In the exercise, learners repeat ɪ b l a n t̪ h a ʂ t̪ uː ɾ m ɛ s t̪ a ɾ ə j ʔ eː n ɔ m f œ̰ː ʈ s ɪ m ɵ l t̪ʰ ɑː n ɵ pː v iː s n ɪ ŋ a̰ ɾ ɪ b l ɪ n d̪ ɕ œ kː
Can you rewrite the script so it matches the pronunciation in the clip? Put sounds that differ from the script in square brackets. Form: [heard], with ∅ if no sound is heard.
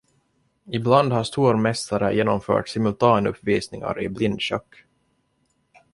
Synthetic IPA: ɪ b l a n [d̪] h a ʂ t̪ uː ɾ m ɛ s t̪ a ɾ ə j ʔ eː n ɔ m f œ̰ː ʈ s ɪ m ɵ l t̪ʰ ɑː n ɵ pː v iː s n ɪ ŋ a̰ ɾ ɪ b l ɪ n d̪ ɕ œ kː